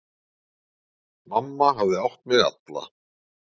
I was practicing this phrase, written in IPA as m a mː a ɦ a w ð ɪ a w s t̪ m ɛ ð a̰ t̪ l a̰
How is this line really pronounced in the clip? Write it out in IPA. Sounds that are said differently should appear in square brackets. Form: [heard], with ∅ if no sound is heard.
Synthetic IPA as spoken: m a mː a ɦ a [v] ð ɪ a w [h] t̪ m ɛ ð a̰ t̪ l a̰